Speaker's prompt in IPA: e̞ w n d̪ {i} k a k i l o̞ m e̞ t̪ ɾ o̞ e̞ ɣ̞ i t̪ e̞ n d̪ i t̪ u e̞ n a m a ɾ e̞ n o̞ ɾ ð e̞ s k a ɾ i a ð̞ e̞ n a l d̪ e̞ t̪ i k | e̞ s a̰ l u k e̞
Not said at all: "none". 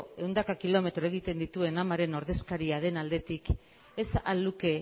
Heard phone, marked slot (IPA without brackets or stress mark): a